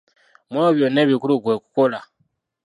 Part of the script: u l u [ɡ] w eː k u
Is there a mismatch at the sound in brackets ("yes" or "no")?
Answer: no